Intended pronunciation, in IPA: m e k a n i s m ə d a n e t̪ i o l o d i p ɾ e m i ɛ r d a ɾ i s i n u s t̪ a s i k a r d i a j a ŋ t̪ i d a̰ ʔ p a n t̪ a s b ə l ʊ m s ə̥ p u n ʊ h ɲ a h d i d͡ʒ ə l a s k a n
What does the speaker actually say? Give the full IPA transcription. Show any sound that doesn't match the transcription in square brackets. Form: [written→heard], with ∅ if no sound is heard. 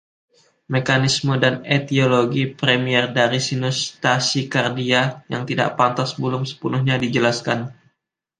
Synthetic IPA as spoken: m e k a n i s m ə d a n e t̪ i o l o [d→ɡ] i p ɾ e m i ɛ r d a ɾ i s i n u s t̪ a s i k a r d i a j a ŋ t̪ i d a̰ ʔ p a n t̪ a s b ə l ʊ m s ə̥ p u n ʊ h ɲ a [h→∅] d i d͡ʒ ə l a s k a n